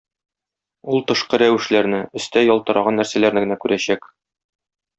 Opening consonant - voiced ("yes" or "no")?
yes